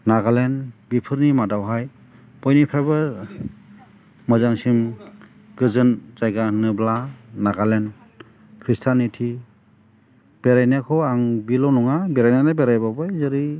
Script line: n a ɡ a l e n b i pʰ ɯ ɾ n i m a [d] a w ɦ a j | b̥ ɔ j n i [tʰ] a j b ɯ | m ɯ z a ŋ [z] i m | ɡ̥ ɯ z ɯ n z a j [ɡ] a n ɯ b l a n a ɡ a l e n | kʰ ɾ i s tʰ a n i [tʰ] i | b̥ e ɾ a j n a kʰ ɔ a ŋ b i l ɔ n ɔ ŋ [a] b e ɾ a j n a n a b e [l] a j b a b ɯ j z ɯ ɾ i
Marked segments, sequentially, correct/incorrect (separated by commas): correct, incorrect, incorrect, correct, correct, correct, incorrect